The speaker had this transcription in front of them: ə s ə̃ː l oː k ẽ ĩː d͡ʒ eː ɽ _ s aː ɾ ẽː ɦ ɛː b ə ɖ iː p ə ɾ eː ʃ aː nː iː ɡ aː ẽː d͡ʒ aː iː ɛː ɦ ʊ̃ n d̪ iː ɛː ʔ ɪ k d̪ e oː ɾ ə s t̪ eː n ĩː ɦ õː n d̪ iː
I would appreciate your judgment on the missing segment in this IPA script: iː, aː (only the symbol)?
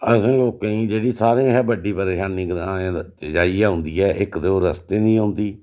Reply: iː